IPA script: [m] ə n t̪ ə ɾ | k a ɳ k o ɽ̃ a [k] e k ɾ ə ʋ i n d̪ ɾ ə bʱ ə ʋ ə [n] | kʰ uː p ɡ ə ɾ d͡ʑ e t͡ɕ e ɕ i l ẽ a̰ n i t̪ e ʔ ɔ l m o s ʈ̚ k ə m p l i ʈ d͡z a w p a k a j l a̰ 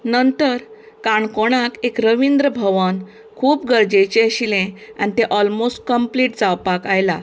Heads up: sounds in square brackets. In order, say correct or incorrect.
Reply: incorrect, correct, correct

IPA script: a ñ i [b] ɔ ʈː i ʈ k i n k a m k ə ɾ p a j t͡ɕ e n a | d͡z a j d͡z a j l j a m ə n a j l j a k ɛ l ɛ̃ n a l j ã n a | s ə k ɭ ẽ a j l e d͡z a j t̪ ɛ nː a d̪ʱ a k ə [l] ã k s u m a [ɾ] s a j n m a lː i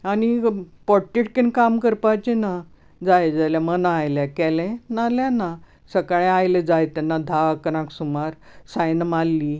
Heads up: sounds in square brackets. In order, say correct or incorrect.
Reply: incorrect, incorrect, correct

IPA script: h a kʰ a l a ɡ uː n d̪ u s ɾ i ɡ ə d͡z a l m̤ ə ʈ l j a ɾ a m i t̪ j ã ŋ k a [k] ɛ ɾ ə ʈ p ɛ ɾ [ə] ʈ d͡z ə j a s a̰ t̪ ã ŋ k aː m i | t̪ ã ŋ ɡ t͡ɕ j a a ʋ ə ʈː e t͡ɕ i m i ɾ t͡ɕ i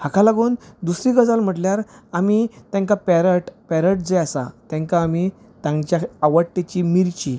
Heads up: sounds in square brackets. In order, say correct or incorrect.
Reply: incorrect, correct

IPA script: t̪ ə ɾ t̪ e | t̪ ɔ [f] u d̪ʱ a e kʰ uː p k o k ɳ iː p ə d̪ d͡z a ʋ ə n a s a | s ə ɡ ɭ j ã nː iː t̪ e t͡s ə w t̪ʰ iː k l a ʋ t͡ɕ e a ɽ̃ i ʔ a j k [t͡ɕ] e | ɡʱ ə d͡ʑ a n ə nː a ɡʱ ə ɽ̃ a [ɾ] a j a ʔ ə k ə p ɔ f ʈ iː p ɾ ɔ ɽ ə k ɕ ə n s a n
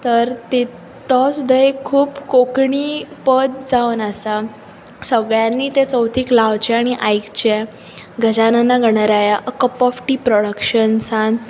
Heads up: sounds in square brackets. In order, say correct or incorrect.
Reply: incorrect, correct, correct

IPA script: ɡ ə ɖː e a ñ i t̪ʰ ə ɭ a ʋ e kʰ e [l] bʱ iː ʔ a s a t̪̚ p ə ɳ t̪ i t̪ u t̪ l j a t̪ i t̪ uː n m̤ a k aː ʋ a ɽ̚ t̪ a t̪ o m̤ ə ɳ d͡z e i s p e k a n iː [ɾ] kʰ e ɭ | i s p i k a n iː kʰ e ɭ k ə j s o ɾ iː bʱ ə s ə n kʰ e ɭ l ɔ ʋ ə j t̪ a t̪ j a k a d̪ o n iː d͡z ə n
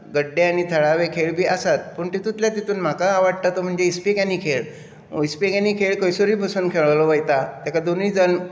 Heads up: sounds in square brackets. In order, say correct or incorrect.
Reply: incorrect, incorrect

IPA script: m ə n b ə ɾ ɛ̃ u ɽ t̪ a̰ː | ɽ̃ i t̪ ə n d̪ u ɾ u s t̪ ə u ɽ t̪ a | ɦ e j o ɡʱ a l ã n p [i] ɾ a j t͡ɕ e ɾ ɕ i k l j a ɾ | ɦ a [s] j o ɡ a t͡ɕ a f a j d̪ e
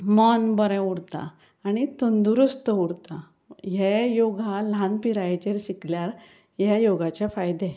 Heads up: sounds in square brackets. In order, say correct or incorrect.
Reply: correct, incorrect

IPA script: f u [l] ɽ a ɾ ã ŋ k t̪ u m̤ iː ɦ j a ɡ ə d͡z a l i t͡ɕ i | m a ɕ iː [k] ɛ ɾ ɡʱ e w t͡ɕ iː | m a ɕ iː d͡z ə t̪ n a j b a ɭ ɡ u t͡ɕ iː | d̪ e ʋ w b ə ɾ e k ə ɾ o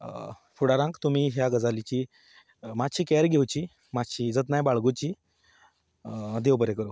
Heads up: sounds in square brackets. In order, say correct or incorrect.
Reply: incorrect, correct

